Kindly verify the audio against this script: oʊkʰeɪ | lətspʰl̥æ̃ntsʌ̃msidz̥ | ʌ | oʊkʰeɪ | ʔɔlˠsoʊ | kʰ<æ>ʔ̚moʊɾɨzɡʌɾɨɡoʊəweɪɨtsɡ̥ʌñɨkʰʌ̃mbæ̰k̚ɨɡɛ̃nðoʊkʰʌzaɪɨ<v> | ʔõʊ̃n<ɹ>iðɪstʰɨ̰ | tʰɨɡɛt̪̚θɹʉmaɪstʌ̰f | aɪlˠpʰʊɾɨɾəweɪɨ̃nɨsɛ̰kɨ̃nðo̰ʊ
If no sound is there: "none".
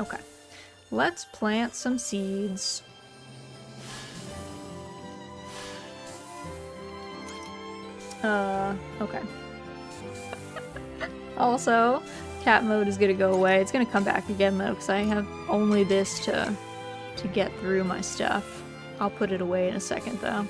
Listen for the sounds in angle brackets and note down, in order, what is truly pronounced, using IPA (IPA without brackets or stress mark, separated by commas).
æ, v, l